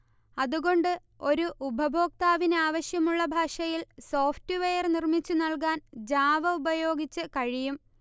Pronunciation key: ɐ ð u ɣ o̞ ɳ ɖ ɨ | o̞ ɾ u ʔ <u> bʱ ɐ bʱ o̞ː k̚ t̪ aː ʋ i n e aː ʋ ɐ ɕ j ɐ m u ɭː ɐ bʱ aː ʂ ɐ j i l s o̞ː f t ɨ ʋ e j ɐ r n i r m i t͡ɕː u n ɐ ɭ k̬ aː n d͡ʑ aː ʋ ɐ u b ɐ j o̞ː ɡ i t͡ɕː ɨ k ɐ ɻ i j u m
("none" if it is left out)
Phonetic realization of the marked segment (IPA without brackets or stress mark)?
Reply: u